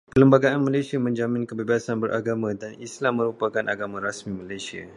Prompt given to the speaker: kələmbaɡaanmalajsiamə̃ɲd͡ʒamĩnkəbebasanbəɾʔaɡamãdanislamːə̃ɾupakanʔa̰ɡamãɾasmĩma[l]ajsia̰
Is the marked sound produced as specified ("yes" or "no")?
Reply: yes